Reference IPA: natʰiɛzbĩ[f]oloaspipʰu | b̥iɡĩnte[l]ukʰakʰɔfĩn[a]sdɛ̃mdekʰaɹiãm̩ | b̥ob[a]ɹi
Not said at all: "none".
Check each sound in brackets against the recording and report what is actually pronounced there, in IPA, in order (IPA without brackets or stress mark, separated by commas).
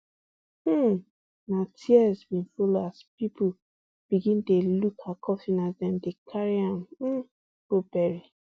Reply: f, l, a, ɛ